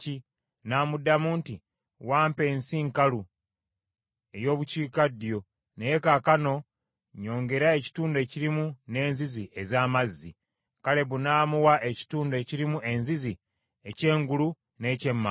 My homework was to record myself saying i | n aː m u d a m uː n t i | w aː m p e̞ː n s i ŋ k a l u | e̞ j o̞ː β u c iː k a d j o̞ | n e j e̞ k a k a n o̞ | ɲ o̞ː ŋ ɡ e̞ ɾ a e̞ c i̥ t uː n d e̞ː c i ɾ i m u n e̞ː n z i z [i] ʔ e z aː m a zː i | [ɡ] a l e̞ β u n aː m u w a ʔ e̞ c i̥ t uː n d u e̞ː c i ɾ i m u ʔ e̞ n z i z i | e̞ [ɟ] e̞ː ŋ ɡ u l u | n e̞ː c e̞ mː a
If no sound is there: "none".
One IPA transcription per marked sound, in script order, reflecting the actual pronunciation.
i, k, c

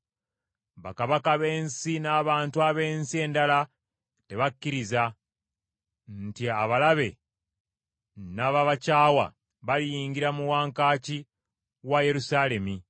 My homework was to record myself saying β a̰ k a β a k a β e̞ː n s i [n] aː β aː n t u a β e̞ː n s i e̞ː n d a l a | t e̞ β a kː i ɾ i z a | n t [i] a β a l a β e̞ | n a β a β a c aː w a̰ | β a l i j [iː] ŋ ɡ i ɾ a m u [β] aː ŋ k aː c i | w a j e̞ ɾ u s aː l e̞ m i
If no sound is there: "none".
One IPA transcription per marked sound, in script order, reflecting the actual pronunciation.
n, i, iː, w

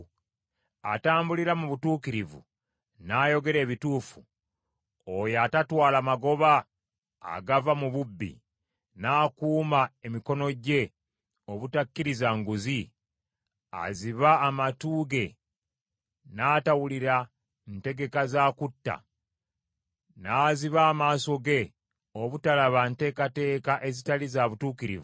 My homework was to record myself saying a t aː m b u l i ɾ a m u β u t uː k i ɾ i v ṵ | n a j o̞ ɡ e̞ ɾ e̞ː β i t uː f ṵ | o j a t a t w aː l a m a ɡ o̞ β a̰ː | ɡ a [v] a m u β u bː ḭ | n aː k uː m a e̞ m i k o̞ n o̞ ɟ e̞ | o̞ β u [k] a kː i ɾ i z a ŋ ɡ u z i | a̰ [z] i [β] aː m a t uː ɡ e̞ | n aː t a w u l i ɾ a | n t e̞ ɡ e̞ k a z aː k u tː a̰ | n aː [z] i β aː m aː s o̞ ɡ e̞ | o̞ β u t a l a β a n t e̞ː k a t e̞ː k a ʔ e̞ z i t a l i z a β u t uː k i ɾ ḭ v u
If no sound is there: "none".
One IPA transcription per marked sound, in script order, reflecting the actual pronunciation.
v, t, z, β, z

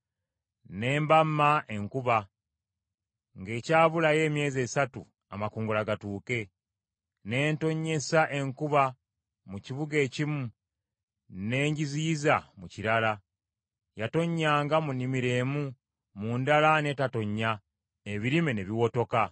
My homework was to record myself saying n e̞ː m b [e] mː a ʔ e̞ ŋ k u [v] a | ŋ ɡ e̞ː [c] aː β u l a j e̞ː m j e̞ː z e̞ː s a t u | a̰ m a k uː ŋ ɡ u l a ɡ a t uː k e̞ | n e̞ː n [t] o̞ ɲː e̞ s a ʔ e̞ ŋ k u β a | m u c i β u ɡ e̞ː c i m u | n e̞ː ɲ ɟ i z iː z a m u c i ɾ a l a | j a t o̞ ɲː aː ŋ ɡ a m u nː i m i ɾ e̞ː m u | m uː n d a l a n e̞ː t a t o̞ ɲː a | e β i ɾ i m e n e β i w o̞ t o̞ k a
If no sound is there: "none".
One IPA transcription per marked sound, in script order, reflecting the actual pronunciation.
a, β, c, t

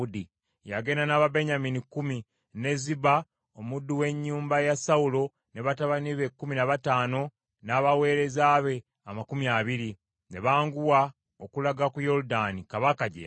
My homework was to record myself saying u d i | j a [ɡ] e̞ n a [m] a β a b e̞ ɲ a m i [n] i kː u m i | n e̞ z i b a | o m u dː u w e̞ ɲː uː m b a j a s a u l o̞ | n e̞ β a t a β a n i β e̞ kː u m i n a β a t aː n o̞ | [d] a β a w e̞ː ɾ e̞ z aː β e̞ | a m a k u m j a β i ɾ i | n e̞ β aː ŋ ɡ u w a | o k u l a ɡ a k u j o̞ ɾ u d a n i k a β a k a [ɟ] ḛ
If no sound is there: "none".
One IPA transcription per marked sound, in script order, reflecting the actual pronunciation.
ɡ, n, n, n, ɟ

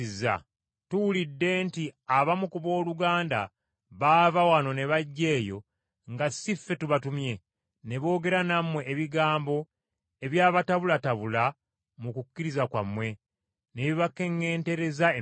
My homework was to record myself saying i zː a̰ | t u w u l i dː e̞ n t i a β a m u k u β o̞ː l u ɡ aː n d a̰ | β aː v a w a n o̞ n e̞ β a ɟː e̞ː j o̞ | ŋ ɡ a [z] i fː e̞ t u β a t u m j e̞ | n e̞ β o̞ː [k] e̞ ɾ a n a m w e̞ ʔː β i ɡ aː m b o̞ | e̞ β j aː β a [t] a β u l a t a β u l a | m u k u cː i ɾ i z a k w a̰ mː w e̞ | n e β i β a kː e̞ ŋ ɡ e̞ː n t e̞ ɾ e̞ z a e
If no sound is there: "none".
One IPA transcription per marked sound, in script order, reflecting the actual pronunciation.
s, ɡ, t

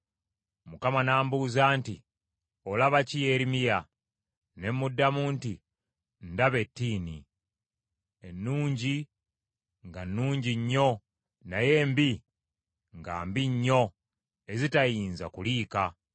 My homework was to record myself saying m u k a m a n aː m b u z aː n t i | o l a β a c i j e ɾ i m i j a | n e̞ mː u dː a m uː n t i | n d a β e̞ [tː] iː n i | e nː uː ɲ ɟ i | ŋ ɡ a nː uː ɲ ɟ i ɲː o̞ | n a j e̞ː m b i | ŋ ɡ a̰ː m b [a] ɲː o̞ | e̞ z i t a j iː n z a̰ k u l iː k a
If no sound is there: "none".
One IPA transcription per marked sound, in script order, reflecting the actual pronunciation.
tː, i

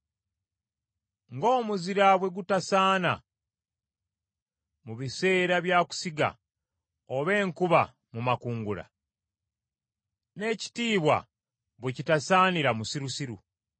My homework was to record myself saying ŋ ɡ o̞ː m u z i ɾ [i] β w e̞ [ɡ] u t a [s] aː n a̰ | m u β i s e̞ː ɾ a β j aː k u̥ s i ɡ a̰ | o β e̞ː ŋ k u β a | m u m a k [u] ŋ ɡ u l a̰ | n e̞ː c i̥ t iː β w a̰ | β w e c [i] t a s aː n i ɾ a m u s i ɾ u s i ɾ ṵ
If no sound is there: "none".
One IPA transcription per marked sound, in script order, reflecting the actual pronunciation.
a, ɡ, s, uː, i

